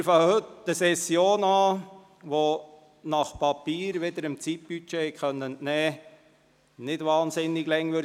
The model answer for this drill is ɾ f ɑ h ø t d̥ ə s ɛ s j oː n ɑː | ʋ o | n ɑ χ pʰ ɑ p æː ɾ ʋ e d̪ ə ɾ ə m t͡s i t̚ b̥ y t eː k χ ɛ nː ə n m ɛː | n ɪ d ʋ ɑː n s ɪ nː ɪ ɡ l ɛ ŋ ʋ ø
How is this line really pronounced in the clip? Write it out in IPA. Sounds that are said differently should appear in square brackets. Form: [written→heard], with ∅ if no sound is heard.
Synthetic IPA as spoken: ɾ f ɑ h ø t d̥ ə s ɛ s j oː n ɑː | ʋ o | n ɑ χ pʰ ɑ p [æː→iː] ɾ ʋ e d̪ ə ɾ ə m t͡s i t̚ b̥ y [t→t͡ʃ] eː k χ [ɛ→œ] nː ə n [m→n] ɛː | n ɪ d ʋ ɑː n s ɪ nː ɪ ɡ l ɛ ŋ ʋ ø